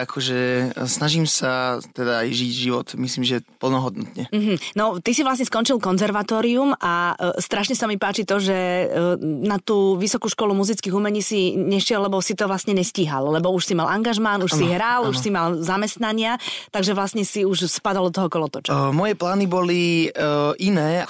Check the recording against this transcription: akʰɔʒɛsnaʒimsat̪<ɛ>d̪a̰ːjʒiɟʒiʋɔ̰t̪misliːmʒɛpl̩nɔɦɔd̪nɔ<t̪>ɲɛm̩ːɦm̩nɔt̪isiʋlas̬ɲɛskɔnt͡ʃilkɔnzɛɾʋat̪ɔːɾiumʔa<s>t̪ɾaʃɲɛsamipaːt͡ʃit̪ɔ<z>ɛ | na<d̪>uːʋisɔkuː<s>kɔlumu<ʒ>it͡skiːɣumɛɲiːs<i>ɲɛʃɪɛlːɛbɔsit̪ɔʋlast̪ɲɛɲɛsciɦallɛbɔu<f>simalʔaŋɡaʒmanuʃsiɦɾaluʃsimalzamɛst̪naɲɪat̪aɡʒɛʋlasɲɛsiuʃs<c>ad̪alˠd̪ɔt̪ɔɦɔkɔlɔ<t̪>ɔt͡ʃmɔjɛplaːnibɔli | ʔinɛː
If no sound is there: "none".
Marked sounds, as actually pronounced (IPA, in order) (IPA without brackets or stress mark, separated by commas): ɛ, t̪, s, ʒ, t̪, ʃ, z, i, ʃ, p, t̪